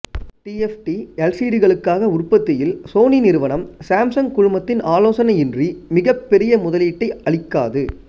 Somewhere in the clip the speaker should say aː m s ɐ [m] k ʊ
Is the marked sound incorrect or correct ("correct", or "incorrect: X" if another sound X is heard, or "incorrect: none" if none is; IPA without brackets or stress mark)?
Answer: incorrect: ŋ